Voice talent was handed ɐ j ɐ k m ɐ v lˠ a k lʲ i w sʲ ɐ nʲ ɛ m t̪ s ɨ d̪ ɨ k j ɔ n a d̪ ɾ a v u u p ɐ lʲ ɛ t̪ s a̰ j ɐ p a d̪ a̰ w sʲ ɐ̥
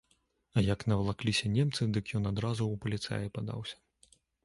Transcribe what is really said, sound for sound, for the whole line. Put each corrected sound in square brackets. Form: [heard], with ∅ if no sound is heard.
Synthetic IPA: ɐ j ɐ k [n] ɐ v lˠ a k lʲ i [∅] sʲ ɐ nʲ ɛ m t̪ s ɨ d̪ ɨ k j ɔ n a d̪ ɾ a [z] u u p ɐ lʲ [i] t̪ s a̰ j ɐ p a d̪ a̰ w sʲ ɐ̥